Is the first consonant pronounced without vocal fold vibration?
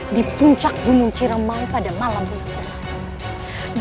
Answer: no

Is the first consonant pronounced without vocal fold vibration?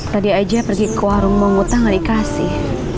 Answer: yes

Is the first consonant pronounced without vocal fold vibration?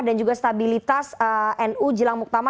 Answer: no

